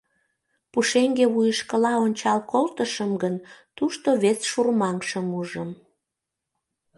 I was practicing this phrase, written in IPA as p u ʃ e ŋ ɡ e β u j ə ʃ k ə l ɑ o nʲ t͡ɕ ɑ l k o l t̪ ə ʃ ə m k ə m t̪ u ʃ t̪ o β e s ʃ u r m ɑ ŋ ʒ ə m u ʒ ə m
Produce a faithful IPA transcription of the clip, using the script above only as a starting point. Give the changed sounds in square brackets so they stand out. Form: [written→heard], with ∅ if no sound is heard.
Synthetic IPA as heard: p u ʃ e ŋ ɡ e β u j ə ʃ k ə l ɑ o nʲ t͡ɕ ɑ l k o l t̪ ə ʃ ə m [k→ɡ] ə [m→n] t̪ u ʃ t̪ o β e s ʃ u r m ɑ ŋ [ʒ→ʃ] ə m u ʒ ə m